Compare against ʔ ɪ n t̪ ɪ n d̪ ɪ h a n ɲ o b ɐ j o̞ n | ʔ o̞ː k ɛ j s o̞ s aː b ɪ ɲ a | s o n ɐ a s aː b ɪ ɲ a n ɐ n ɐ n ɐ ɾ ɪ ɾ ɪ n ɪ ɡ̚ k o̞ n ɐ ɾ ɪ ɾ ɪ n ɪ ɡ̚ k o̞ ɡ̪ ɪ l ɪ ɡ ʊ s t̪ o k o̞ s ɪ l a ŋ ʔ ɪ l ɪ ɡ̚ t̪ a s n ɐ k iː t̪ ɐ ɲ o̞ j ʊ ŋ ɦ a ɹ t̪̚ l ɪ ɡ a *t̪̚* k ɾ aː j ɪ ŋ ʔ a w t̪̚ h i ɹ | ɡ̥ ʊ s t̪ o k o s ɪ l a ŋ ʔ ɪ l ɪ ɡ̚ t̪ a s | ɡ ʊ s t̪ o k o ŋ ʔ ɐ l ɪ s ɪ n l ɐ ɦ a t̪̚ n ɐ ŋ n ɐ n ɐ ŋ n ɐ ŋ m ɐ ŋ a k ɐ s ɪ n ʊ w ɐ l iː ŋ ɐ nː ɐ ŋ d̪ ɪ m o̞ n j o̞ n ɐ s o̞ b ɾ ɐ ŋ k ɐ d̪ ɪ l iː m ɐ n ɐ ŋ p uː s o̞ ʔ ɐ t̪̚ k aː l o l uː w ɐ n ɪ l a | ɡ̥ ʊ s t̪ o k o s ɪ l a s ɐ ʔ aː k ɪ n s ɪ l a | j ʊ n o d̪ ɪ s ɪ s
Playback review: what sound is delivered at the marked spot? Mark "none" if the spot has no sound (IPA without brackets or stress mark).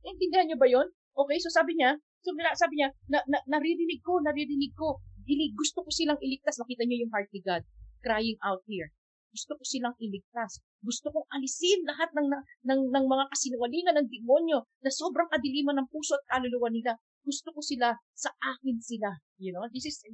d̪̚